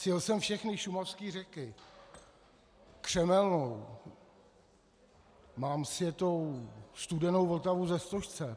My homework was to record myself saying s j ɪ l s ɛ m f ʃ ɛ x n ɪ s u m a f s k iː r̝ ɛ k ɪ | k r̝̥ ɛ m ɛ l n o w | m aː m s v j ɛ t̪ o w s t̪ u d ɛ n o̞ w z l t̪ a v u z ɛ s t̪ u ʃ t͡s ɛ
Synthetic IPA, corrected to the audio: s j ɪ l s ɛ m f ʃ ɛ x n ɪ ʃ u m a f s k iː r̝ ɛ k ɪ | k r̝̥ ɛ m ɛ l n o w | m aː m s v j ɛ t̪ o w s t̪ u d ɛ n o̞ w v l t̪ a v u z ɛ s t̪ o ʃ t͡s ɛ